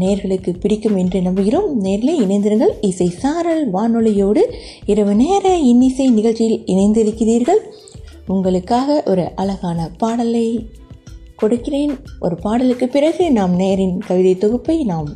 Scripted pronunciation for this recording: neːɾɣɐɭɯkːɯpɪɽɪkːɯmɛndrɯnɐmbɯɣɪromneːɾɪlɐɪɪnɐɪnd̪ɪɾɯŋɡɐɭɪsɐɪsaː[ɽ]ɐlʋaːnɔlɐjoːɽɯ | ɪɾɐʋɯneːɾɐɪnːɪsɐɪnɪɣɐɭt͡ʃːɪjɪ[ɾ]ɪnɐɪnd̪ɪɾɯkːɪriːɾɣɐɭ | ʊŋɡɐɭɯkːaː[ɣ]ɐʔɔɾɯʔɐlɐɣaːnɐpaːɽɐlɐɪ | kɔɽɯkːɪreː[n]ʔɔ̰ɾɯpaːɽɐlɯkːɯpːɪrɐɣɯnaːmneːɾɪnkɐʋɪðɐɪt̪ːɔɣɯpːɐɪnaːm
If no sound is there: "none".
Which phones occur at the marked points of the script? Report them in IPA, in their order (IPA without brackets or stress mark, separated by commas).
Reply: ɾ, l, ɣ, n